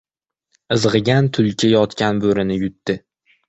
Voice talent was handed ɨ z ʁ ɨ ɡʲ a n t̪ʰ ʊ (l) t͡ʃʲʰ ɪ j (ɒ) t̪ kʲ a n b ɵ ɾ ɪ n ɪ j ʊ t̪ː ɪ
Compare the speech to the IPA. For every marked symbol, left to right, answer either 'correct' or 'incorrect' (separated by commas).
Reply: correct, correct